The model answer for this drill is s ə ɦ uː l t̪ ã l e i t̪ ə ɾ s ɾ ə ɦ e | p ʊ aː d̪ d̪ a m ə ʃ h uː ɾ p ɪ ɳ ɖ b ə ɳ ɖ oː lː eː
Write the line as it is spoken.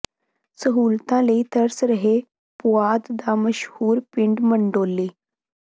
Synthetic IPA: s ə ɦ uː l t̪ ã l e i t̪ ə ɾ s ɾ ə ɦ e | p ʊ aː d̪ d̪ a m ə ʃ h uː ɾ p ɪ ɳ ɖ m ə ɳ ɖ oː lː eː